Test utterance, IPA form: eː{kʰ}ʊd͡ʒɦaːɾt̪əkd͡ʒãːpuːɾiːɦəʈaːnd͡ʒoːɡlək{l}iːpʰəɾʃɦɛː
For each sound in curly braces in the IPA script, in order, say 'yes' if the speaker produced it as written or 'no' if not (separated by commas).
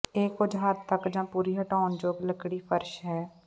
no, no